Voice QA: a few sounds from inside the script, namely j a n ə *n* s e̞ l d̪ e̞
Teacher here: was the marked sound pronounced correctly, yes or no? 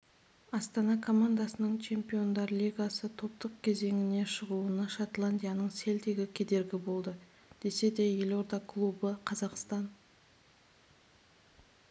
no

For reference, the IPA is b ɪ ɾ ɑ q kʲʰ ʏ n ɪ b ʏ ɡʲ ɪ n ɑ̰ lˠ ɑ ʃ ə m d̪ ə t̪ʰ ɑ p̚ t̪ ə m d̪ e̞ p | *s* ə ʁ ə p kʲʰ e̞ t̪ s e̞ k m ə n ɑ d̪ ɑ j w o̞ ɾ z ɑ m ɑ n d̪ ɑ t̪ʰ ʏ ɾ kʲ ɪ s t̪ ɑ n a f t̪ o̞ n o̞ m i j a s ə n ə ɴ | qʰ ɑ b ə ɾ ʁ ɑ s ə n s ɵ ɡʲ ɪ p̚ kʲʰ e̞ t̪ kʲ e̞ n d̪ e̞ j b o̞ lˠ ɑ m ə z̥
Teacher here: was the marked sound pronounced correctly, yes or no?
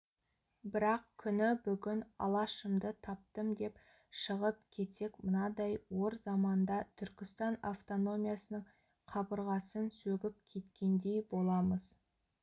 no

